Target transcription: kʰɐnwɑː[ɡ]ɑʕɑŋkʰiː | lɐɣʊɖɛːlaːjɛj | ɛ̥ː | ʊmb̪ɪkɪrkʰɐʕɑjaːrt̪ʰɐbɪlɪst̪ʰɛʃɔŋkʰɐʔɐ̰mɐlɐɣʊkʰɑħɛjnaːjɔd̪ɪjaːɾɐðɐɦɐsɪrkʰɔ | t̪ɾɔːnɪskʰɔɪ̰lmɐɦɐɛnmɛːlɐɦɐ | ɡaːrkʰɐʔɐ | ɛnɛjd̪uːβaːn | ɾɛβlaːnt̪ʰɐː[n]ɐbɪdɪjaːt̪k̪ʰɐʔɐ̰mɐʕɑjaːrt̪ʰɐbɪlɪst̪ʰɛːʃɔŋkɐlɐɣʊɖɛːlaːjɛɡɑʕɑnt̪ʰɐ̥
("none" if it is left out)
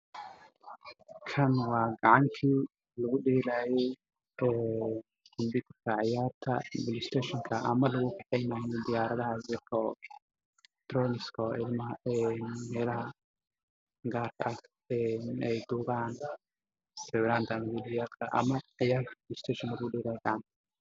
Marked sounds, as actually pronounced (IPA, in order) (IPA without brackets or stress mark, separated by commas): ɡ, m